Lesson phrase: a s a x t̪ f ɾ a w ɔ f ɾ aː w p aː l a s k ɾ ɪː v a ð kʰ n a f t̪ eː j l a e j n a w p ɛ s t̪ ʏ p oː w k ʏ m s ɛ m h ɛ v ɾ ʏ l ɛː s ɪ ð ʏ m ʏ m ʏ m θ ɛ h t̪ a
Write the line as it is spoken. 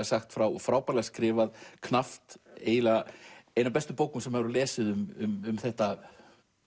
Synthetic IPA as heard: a s a x t̪ f ɾ a w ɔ f ɾ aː w p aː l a s k ɾ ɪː v a ð kʰ n a f t̪ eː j l a e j n a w p ɛ s t̪ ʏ p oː w k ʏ m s ɛ m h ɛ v ɾ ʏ l ɛː s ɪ ð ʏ m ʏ m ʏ m θ ɛ h t̪ a